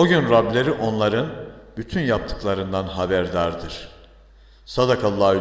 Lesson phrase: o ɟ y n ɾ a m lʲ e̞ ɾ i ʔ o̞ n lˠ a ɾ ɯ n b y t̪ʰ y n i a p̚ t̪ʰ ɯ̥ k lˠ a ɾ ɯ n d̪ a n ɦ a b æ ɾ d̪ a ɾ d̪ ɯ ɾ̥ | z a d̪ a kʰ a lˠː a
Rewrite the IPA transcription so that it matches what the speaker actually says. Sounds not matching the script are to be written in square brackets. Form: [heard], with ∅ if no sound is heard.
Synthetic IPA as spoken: o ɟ y n ɾ a [b] lʲ e̞ ɾ i ʔ o̞ n lˠ a ɾ ɯ n b y t̪ʰ y n [j] a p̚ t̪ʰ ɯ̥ k lˠ a ɾ ɯ n d̪ a n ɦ a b æ ɾ d̪ a ɾ d̪ ɯ ɾ̥ | [s] a d̪ a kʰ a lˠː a